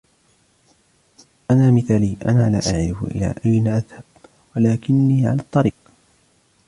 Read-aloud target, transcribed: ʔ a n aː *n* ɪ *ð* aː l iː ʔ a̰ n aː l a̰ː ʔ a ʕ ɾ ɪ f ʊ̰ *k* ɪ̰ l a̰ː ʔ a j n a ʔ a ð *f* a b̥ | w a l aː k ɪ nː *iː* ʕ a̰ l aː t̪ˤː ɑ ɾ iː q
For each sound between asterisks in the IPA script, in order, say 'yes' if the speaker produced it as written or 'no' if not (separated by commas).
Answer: no, no, no, no, yes